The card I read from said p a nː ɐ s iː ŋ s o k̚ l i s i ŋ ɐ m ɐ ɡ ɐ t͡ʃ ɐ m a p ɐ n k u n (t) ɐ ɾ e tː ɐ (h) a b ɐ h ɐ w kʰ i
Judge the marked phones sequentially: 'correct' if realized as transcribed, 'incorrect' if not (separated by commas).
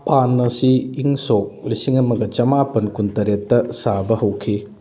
correct, incorrect